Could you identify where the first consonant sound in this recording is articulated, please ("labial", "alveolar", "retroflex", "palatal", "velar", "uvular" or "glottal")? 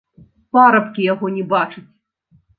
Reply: labial